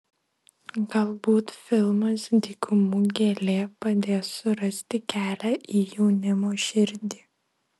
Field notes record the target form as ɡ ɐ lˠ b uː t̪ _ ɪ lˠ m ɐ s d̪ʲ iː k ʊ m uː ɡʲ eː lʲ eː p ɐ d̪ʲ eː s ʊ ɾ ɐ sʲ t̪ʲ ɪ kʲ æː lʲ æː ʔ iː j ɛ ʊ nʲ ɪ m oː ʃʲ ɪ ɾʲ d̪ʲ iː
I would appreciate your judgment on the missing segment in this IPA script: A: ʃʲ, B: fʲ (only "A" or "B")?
B